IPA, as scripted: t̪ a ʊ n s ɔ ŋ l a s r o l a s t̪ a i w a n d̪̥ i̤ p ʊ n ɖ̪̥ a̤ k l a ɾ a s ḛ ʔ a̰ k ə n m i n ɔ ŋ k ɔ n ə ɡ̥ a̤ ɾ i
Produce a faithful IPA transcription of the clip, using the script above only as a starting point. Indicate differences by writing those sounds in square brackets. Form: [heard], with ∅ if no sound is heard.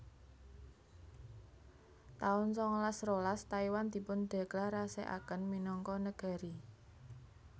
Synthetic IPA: t̪ a ʊ n s ɔ ŋ l a s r o l a s t̪ a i w a n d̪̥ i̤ p ʊ n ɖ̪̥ a̤ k l a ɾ a s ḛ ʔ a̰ k ə n m i n ɔ ŋ k ɔ n ə ɡ̥ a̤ ɾ i